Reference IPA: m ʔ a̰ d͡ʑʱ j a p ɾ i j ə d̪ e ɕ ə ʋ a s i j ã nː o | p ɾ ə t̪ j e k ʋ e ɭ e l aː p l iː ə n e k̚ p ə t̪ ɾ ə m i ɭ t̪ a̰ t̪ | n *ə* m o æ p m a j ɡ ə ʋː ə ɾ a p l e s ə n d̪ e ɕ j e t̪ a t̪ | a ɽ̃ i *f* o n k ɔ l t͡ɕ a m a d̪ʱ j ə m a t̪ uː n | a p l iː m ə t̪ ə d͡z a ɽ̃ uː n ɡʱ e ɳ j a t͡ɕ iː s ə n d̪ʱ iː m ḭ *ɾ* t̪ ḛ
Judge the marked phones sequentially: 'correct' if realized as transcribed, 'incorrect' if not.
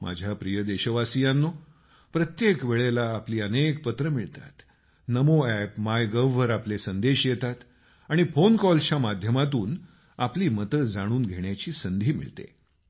correct, correct, incorrect: ɭ

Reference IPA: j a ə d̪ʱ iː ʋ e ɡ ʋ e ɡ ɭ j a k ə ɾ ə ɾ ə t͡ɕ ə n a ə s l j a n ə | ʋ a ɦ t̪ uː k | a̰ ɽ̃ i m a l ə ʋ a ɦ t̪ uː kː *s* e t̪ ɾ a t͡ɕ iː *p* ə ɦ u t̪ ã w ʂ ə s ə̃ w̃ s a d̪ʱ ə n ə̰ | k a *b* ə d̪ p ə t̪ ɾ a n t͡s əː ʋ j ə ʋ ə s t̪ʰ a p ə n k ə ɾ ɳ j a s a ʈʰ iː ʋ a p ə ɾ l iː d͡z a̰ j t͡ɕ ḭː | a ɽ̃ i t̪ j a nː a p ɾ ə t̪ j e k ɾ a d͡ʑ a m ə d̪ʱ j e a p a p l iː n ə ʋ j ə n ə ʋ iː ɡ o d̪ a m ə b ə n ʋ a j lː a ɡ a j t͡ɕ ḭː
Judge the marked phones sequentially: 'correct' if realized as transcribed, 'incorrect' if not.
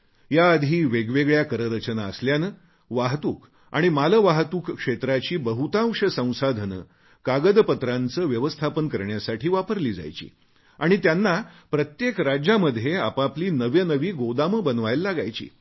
incorrect: ʂ, incorrect: b, incorrect: ɡ

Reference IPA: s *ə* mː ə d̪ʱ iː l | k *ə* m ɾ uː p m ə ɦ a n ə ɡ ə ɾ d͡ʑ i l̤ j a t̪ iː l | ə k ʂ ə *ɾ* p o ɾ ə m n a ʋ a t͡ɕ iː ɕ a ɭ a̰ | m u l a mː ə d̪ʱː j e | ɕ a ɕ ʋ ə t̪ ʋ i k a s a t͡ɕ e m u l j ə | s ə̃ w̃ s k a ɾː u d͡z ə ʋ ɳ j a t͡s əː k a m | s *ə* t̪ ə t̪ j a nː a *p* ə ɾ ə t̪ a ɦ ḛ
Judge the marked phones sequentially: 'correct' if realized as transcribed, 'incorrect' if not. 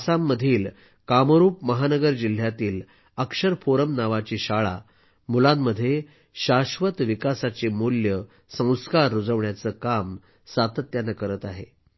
incorrect: a, incorrect: a, correct, incorrect: a, incorrect: k

